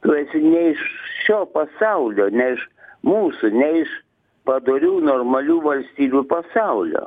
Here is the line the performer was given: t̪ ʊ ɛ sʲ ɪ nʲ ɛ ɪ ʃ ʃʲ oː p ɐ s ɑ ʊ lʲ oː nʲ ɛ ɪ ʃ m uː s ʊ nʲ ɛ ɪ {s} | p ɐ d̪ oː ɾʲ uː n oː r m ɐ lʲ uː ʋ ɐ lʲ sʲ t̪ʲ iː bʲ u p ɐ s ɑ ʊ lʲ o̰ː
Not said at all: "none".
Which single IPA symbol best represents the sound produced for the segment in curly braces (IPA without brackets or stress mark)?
ʃ